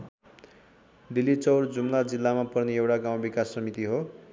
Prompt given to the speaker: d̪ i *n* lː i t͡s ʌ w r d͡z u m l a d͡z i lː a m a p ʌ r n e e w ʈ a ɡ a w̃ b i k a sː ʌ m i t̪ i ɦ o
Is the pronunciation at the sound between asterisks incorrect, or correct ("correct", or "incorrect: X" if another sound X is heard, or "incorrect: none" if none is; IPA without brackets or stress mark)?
incorrect: none